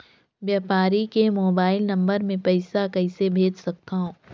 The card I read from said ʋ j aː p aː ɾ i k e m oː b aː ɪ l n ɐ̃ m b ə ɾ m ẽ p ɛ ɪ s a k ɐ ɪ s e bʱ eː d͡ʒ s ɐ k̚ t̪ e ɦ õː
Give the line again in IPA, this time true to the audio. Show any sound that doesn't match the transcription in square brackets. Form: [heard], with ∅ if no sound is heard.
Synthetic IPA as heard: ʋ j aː p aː ɾ i k e m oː b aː ɪ l n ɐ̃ m b ə ɾ m ẽ p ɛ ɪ s a k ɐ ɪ s e bʱ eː d͡ʒ s ɐ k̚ t̪ [a] ɦ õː